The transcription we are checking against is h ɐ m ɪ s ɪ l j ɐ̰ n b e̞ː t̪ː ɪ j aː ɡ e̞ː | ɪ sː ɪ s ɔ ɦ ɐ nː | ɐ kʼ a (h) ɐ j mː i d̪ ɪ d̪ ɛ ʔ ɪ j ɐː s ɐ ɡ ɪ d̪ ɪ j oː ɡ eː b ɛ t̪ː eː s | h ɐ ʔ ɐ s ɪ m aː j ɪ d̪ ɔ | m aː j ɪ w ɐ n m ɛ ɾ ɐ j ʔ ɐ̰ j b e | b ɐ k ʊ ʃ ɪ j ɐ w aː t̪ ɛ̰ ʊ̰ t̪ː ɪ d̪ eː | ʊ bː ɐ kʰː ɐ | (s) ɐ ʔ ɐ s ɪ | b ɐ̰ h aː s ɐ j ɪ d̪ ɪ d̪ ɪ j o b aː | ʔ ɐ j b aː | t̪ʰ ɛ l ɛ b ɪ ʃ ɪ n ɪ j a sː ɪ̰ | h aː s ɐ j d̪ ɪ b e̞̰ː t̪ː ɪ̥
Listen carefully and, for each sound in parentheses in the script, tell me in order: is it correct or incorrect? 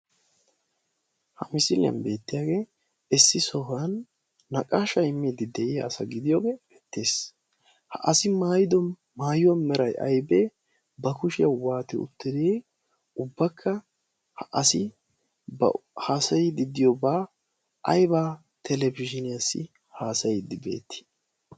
incorrect: ʃ, incorrect: h

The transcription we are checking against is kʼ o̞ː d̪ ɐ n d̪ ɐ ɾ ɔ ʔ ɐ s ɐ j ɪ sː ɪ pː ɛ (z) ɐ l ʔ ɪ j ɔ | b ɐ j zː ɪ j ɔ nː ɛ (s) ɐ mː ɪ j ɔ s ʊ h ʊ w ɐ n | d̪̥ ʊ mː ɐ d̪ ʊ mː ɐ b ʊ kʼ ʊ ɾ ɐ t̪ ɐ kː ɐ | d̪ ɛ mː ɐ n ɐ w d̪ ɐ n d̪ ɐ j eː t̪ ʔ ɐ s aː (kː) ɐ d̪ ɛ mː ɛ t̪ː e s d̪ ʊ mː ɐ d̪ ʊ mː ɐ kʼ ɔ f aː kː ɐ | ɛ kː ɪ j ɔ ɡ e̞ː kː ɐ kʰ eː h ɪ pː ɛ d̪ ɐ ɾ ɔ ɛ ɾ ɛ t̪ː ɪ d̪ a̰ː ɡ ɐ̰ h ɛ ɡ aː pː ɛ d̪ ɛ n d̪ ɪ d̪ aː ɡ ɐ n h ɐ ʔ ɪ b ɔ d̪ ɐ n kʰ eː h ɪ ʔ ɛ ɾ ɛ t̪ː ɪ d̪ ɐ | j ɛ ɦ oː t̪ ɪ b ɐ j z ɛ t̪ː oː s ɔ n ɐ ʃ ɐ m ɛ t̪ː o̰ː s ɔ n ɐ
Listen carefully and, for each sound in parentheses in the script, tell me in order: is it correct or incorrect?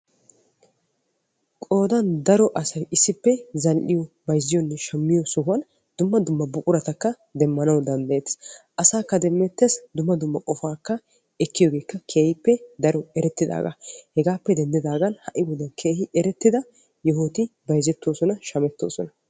correct, incorrect: ʃ, correct

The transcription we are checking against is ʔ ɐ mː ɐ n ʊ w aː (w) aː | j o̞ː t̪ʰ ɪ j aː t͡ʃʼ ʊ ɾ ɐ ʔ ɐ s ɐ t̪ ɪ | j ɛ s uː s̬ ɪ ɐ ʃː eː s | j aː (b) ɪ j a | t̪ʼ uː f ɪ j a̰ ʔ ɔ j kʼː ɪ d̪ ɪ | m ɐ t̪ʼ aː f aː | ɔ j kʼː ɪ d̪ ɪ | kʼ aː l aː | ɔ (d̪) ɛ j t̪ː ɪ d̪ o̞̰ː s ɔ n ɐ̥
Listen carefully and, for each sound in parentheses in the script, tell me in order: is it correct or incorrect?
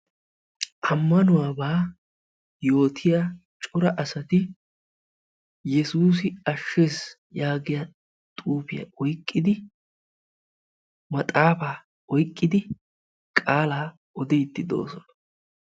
incorrect: b, incorrect: ɡ, correct

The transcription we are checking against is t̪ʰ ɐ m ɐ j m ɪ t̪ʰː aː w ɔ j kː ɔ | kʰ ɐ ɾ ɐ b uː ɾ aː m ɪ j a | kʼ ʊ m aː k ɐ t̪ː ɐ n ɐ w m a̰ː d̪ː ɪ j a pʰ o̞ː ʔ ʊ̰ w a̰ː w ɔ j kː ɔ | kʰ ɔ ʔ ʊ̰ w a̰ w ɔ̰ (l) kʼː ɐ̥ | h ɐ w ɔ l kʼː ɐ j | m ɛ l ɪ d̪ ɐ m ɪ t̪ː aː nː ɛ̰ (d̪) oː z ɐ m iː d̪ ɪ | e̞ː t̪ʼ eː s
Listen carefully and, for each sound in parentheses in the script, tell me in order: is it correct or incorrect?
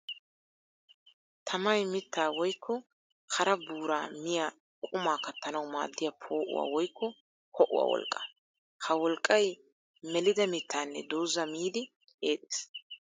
correct, correct

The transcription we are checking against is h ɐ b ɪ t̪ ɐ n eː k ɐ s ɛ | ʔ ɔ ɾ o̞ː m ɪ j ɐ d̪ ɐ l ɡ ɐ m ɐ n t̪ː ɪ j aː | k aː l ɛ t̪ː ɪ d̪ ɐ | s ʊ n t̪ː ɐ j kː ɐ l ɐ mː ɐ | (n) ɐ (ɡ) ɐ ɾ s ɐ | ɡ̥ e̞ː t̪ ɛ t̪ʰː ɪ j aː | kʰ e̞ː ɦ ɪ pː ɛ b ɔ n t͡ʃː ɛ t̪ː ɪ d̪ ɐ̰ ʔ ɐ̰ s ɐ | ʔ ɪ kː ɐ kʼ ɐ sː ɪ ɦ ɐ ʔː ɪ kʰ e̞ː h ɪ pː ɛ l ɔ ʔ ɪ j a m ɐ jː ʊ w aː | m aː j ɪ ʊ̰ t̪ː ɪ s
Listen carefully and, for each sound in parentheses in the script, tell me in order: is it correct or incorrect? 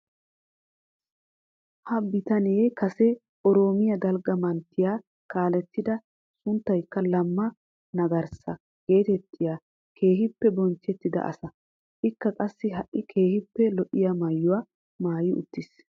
correct, correct

